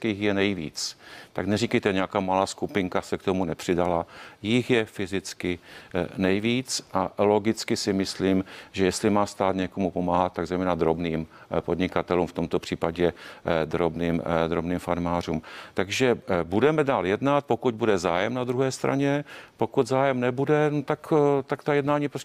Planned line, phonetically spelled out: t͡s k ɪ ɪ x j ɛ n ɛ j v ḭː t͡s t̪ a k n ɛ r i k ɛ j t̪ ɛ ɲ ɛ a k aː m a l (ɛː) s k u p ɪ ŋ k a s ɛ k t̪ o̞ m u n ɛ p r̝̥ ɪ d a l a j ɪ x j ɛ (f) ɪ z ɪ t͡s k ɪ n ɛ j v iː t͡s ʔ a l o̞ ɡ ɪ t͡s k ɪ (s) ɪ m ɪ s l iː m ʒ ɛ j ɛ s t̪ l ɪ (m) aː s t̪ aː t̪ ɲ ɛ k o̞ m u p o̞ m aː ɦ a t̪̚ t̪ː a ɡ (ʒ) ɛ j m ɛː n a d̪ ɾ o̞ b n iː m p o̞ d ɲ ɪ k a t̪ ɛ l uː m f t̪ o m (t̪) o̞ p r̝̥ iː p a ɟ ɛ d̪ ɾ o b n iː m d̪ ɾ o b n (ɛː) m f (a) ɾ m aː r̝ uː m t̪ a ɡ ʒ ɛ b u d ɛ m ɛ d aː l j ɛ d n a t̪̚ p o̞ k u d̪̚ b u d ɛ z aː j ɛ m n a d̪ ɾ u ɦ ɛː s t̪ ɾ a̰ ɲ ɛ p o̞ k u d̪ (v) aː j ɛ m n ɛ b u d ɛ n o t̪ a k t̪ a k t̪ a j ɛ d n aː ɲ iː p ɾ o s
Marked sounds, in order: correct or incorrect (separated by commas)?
incorrect, correct, correct, correct, incorrect, correct, incorrect, correct, incorrect